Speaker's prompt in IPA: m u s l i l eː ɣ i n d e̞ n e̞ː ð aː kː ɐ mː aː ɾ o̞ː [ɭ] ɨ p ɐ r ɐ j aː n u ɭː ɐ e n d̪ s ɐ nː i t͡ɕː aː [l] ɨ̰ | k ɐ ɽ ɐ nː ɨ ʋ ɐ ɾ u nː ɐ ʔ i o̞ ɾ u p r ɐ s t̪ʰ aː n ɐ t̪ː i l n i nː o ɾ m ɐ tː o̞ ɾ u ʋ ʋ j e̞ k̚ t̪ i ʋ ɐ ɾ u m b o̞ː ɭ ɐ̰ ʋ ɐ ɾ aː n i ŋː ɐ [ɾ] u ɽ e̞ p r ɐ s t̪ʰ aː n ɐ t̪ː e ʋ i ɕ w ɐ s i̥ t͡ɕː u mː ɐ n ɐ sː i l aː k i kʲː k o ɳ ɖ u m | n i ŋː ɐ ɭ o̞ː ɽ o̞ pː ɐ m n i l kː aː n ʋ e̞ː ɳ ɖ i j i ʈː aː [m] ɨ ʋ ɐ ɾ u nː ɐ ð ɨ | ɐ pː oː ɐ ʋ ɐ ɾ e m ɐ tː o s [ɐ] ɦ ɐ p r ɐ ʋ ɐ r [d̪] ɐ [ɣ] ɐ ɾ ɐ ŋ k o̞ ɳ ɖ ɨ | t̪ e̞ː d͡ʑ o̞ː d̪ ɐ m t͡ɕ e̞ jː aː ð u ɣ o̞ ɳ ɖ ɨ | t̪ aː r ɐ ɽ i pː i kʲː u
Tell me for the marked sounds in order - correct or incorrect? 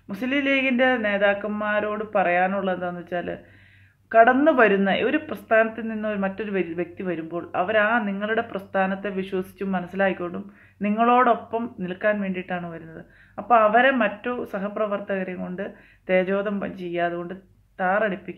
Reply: incorrect, correct, incorrect, incorrect, correct, incorrect, correct

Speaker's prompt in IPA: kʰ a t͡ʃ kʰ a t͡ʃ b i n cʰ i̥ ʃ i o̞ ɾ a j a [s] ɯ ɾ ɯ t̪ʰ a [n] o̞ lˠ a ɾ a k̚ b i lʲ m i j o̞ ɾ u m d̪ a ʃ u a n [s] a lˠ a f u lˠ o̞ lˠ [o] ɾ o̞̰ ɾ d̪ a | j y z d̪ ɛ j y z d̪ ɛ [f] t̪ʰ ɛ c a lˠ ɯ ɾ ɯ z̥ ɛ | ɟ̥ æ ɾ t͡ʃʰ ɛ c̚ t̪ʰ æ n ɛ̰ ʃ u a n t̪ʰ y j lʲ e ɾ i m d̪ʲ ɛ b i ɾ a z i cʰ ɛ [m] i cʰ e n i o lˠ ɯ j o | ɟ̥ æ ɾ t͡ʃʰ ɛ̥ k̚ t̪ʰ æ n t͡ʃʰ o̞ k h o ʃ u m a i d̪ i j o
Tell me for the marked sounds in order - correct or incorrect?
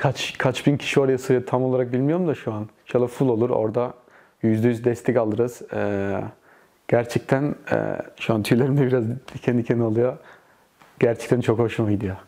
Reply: correct, incorrect, incorrect, incorrect, incorrect, incorrect

